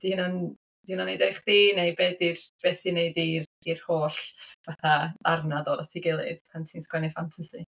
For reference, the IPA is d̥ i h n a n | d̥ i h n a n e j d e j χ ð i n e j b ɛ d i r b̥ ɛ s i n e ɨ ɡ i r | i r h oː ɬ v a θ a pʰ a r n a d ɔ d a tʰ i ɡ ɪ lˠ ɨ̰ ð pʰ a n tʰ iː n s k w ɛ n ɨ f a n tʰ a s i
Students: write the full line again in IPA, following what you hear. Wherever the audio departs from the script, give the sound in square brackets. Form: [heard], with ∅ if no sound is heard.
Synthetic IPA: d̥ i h n a n | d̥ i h n a n e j d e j χ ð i n e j b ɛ d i r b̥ ɛ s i n e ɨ [d] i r | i r h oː ɬ v a θ a [∅] a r n a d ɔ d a tʰ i ɡ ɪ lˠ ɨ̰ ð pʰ a n tʰ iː n s k w ɛ n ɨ f a n tʰ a s i